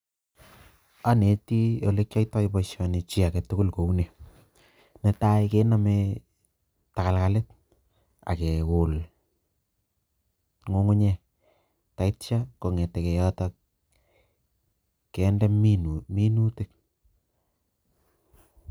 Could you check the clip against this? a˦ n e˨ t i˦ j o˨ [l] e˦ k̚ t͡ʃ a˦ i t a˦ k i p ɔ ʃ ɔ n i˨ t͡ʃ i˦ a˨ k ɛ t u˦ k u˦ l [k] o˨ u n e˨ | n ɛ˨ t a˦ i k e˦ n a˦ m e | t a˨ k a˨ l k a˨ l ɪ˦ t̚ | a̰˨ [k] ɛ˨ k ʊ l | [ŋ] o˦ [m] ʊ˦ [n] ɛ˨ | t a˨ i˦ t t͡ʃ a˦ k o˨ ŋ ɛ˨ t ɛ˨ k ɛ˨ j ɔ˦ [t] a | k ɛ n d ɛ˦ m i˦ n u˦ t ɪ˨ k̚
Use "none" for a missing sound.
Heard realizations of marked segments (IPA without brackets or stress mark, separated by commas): l, k, k, ŋ, ŋ, ɲ, t